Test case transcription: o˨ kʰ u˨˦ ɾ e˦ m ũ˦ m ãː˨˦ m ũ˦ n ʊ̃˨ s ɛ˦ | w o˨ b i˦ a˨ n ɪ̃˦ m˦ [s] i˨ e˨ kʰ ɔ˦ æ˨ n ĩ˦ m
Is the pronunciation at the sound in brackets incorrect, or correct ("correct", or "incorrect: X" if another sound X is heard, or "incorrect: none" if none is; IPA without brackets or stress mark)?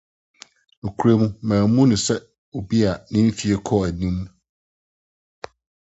incorrect: f